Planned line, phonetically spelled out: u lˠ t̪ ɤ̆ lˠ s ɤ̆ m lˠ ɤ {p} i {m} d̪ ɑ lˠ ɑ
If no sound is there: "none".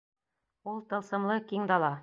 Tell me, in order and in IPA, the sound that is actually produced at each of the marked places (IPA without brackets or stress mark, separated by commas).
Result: k, ŋ